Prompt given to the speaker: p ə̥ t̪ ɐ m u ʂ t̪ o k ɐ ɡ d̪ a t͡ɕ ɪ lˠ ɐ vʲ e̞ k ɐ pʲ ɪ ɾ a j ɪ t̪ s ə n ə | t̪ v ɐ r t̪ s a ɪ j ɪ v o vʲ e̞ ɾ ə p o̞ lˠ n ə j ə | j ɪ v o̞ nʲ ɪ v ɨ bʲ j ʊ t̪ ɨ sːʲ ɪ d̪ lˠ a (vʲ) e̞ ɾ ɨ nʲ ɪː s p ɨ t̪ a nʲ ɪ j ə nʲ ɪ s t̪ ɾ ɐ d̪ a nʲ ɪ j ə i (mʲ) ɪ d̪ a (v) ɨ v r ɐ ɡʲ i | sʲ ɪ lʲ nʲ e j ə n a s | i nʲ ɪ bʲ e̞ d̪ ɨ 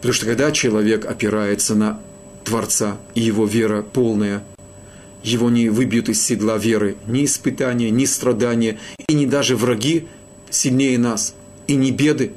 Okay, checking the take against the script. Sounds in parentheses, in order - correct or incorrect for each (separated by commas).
correct, incorrect, incorrect